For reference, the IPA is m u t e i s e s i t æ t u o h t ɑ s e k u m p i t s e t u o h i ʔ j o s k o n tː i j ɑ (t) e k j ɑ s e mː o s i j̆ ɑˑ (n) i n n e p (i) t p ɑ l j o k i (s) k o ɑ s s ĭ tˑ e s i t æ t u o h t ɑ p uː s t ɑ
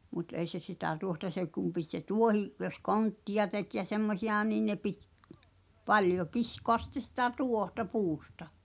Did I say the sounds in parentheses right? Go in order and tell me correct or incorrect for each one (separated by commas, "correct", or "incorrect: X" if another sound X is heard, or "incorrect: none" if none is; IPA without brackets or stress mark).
correct, correct, correct, correct